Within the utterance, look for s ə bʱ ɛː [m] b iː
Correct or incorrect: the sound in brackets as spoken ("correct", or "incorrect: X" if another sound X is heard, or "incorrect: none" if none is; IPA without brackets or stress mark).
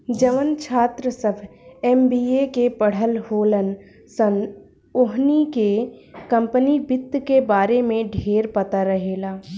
correct